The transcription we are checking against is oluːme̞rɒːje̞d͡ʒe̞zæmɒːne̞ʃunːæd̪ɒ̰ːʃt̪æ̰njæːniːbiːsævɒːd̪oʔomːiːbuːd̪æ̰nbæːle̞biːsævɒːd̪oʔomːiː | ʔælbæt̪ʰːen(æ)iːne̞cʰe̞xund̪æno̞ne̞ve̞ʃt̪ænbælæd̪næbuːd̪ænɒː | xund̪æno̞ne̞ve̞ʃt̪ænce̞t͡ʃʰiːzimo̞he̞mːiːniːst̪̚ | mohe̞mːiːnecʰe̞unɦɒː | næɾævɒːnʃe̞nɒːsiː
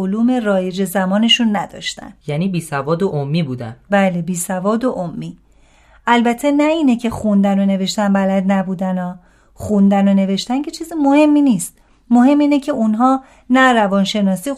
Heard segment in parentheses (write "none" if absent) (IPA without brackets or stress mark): æ